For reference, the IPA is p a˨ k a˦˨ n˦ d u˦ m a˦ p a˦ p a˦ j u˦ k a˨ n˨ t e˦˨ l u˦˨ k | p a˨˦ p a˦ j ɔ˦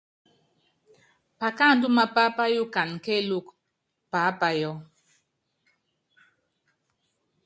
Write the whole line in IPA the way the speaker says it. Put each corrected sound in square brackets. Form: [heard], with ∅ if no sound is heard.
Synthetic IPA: p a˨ k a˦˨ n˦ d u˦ m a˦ p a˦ p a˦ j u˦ k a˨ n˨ [k] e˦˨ l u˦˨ k | p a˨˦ p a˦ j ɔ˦